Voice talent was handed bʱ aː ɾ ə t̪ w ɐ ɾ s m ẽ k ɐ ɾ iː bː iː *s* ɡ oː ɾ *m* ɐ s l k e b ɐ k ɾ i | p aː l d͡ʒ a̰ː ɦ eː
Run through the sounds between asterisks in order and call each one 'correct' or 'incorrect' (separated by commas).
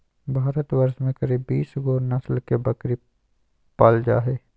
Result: correct, incorrect